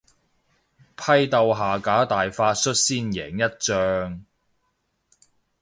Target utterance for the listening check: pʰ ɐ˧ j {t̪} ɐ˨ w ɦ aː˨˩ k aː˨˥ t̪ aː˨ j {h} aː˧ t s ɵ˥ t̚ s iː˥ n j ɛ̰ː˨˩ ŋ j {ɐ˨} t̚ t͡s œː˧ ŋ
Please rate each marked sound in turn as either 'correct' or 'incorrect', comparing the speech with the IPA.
correct, incorrect: f, incorrect: ɐ˥

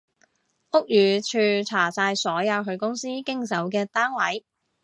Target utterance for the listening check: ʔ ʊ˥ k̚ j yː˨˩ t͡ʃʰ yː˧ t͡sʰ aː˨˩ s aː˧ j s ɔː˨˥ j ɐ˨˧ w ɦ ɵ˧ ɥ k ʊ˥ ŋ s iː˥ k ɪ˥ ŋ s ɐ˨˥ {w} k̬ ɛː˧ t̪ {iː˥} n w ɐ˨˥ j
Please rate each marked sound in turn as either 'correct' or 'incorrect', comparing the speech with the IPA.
correct, incorrect: aː˥

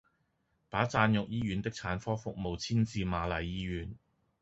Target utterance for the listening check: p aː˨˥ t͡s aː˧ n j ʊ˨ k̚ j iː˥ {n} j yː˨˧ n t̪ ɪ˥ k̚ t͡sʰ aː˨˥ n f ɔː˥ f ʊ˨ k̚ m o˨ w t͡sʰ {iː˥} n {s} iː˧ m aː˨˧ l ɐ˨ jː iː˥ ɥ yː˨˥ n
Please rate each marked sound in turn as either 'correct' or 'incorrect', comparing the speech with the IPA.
incorrect: none, correct, incorrect: t͡s

